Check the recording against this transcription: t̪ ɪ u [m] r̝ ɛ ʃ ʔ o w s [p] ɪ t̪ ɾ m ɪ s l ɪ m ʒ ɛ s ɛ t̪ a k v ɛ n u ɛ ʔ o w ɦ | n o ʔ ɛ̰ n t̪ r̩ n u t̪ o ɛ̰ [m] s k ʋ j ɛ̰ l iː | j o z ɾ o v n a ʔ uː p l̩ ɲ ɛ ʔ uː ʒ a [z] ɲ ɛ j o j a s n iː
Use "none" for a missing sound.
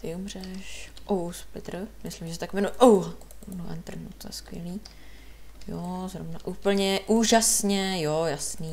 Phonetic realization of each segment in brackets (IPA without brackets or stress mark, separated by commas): m, p, none, s